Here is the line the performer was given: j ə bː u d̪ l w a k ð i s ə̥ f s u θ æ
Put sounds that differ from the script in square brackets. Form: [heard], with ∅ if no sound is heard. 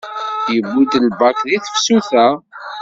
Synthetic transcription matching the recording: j ə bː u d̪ l [b] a k ð i [θ] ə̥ f s u θ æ

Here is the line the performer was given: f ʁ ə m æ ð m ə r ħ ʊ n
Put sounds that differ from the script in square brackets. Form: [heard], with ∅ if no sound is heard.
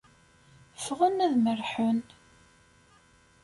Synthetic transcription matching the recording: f ʁ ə [n] æ ð m ə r ħ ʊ n

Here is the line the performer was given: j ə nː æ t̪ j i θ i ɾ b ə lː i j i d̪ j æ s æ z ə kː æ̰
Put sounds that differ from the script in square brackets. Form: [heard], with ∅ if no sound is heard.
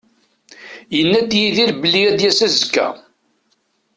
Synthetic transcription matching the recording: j ə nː æ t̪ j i [ð] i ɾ b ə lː i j [æ] d̪ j æ s æ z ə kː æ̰

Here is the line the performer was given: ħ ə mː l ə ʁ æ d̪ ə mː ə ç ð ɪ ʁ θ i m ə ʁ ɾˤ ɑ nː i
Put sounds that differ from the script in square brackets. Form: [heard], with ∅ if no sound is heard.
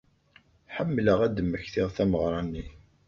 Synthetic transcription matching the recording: ħ ə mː l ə ʁ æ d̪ ə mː ə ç [θ] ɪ ʁ θ [æ] m ə ʁ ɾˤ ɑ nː i

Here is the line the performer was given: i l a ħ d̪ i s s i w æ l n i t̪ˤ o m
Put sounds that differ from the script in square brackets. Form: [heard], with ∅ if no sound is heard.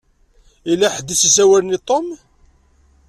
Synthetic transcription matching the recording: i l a ħ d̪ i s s [æ] w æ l n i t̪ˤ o m

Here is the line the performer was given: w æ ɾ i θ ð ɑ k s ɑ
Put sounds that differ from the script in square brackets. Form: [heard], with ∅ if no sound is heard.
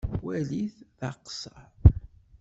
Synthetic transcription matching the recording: w æ [l] i θ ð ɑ [q] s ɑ

